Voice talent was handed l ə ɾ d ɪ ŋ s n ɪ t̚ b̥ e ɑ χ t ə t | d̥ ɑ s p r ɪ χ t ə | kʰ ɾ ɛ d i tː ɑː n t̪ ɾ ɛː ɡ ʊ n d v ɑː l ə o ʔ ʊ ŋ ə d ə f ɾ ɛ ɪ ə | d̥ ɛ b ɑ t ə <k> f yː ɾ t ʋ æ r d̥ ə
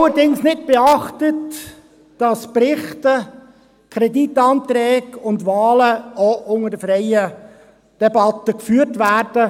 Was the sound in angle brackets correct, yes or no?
yes